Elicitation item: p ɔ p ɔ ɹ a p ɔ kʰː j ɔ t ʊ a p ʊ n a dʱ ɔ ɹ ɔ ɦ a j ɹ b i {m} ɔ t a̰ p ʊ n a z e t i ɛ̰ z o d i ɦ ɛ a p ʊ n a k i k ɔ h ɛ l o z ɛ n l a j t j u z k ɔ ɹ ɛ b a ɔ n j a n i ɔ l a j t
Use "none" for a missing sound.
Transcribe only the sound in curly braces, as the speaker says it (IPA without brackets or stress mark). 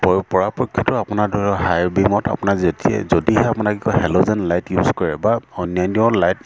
m